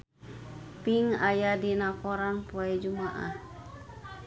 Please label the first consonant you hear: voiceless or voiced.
voiceless